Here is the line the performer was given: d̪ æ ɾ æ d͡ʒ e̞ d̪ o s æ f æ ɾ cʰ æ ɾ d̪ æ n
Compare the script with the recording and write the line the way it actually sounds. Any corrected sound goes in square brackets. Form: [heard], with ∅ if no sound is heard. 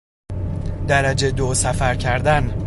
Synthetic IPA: d̪ æ ɾ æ d͡ʒ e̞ d̪ o s æ f æ ɾ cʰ æ ɾ d̪ æ n